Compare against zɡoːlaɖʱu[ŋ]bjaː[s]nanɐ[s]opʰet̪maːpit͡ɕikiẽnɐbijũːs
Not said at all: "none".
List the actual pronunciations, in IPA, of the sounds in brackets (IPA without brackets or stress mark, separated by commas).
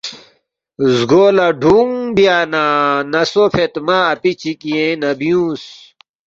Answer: ŋ, none, s